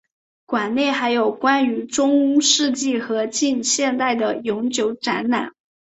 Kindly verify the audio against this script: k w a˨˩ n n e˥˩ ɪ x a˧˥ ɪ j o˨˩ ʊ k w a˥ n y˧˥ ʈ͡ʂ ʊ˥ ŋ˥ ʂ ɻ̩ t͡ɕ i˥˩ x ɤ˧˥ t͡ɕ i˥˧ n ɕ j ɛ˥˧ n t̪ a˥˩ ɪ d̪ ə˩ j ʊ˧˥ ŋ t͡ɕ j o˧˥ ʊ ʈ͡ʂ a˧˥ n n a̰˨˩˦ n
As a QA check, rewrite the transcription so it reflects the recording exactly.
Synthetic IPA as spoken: k w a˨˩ n n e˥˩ ɪ x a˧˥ ɪ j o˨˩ ʊ k w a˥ n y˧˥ ʈ͡ʂ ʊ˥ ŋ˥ ʂ ɻ̩ t͡ɕ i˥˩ x ɤ˧˥ t͡ɕ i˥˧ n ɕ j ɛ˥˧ n t̪ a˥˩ ɪ d̪ ə˩ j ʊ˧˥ ŋ t͡ɕ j o˧˥ ʊ ʈ͡ʂ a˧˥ n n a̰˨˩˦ n